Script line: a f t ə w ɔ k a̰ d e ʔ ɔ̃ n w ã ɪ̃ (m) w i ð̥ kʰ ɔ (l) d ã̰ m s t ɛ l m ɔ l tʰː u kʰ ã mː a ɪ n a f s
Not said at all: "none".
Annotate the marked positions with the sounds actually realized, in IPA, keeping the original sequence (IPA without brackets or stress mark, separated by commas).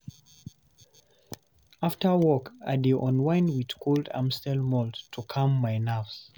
n, l